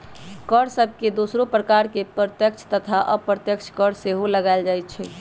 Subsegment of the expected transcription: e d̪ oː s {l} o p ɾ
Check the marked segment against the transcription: incorrect: ɾ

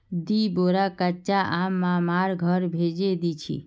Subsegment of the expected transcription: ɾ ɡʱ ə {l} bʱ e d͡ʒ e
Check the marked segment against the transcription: incorrect: ɾ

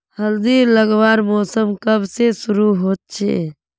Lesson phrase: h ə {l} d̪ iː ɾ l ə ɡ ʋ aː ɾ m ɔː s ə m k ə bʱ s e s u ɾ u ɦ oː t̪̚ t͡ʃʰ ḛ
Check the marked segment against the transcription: correct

